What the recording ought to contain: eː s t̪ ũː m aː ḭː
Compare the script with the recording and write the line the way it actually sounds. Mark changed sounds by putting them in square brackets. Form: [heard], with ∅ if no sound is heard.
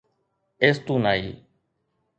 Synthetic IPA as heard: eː s t̪ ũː [n] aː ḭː